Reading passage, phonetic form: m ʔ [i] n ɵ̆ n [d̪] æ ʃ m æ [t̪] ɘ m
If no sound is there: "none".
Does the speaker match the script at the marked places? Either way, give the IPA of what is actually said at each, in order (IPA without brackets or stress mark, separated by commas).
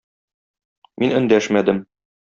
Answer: i, d̪, d̪